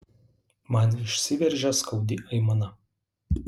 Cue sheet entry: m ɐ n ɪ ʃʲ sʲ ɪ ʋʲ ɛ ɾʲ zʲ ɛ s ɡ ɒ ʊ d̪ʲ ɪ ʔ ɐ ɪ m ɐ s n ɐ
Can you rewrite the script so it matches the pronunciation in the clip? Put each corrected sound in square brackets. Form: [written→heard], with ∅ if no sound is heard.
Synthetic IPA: m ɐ n ɪ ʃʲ sʲ ɪ ʋʲ ɛ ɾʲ [zʲ→ʒʲ] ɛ s [ɡ→k] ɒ ʊ d̪ʲ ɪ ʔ ɐ ɪ m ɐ [s→∅] n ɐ